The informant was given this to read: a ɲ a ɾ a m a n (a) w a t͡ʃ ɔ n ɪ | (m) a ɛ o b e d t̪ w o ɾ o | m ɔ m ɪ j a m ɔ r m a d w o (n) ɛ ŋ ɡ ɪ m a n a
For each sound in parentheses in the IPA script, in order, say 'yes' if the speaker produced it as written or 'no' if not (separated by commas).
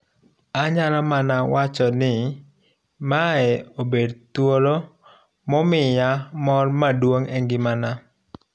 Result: yes, yes, no